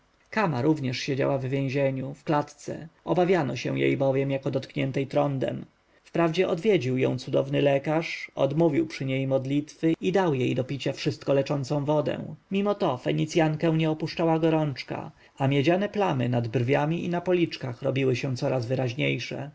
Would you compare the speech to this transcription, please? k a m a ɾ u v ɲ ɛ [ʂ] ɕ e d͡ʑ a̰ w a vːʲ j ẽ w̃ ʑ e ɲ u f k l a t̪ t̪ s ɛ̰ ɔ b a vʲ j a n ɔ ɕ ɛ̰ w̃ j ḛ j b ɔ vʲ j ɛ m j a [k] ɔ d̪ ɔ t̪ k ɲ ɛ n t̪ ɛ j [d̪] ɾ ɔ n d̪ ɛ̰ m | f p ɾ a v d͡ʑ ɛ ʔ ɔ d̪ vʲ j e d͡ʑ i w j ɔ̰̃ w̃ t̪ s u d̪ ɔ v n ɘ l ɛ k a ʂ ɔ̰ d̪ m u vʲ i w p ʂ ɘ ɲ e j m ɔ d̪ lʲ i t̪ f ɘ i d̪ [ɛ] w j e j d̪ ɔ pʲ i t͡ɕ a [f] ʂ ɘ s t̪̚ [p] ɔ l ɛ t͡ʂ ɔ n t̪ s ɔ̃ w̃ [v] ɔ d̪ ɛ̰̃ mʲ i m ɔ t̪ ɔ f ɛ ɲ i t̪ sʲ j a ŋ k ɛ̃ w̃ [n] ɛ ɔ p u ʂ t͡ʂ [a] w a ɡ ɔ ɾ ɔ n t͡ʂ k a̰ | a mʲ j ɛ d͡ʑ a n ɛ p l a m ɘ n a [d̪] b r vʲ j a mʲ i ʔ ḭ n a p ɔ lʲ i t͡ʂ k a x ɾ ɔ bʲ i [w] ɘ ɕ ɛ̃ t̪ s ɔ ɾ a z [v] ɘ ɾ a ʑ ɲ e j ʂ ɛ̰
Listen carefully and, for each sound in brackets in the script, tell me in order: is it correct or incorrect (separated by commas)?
correct, correct, incorrect, incorrect, correct, incorrect, correct, incorrect, correct, correct, correct, correct